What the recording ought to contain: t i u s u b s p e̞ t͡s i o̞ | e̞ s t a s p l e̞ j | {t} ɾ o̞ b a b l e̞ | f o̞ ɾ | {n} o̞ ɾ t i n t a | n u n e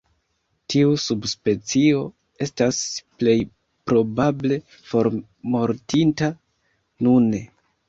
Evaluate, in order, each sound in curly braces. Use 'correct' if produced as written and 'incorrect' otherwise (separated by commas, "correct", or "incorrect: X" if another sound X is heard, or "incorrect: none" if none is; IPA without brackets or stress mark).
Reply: incorrect: p, incorrect: m